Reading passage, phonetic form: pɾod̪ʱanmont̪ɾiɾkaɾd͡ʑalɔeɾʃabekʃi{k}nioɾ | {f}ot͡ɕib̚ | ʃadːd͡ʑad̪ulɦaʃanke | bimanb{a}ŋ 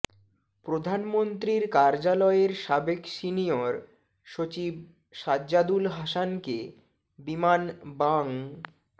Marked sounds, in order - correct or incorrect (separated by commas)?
incorrect, incorrect, correct